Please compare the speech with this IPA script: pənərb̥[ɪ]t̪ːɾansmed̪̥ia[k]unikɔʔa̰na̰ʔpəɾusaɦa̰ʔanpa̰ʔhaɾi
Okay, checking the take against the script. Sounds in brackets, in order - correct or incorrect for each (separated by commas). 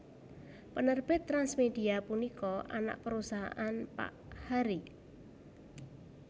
correct, incorrect